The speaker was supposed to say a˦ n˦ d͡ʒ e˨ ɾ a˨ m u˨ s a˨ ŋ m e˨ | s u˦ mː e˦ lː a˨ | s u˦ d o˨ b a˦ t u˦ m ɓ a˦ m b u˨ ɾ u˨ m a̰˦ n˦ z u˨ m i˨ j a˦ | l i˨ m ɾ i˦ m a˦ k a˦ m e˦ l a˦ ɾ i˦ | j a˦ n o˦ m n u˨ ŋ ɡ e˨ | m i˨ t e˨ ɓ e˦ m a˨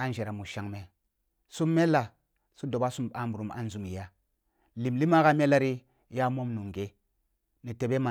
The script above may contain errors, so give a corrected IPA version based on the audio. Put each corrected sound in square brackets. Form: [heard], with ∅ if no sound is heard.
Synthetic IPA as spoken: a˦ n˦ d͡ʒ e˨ ɾ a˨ m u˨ [ʃ] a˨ ŋ m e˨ | s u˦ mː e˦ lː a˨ | s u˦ d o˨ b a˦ [s] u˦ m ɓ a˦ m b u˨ ɾ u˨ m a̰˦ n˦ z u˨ m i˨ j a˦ | l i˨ m [l] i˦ m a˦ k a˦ m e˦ l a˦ ɾ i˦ | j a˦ [m] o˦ m n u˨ ŋ ɡ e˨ | [n] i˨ t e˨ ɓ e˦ m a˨